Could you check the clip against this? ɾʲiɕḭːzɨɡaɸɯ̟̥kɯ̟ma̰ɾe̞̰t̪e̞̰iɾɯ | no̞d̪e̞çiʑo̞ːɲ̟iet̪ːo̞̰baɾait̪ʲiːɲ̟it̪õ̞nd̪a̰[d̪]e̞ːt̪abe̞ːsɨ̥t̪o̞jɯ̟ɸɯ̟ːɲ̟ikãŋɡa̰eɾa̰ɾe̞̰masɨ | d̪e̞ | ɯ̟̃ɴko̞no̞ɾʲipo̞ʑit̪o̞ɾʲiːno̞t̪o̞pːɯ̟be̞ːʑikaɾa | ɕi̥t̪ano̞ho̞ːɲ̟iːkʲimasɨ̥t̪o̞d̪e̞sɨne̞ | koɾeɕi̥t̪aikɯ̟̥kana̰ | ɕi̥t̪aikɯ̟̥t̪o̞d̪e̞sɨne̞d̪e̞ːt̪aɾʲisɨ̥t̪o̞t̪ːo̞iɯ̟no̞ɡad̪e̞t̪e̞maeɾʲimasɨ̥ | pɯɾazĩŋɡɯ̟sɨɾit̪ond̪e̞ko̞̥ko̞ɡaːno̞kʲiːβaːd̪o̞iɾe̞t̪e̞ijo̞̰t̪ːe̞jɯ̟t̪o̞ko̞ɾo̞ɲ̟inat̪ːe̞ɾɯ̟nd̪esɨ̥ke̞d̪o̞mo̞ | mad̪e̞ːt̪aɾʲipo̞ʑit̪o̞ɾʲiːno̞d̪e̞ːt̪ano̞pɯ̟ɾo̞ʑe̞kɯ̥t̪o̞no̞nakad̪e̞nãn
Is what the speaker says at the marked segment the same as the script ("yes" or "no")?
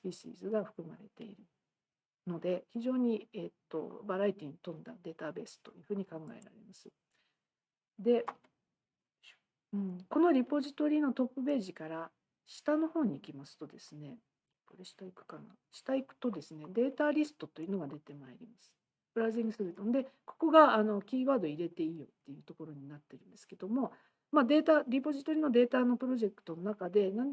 yes